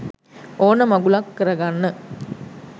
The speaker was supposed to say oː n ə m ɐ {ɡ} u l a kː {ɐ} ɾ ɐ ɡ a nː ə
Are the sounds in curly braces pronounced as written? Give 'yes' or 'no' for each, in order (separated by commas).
yes, no